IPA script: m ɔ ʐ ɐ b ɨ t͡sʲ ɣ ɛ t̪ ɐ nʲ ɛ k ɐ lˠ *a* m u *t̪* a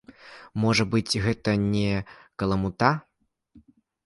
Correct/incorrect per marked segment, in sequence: incorrect, correct

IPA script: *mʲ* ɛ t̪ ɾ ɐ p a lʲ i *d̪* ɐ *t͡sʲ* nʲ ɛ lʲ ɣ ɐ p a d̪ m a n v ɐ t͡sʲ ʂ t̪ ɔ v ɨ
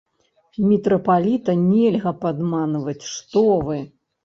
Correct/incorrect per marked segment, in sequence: correct, incorrect, incorrect

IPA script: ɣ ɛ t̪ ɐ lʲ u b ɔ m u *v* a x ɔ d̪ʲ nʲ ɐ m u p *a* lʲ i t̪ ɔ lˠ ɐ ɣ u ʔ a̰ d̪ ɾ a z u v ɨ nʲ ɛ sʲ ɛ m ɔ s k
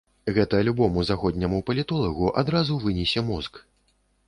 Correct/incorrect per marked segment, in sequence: incorrect, incorrect

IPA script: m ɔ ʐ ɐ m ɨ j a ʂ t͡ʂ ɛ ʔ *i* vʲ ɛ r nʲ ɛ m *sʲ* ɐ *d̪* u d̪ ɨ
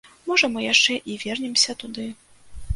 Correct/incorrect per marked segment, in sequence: correct, correct, incorrect

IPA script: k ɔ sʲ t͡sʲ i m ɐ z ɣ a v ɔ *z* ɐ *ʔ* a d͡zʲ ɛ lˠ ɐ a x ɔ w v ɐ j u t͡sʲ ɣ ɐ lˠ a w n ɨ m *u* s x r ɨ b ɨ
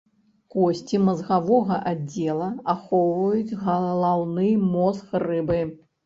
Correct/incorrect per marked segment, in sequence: incorrect, correct, incorrect

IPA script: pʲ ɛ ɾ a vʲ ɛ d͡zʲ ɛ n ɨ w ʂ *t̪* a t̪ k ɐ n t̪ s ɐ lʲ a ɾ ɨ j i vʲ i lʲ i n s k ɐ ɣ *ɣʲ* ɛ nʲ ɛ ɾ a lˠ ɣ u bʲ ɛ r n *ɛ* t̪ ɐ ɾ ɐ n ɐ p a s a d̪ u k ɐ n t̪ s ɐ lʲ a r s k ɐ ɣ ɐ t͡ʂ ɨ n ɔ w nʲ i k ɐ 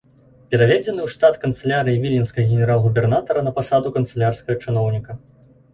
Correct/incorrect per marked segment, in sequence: correct, correct, incorrect

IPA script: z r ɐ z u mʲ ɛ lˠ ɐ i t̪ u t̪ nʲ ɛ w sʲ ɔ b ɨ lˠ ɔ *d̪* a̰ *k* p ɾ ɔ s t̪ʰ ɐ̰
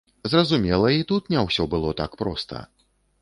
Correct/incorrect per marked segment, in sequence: incorrect, correct

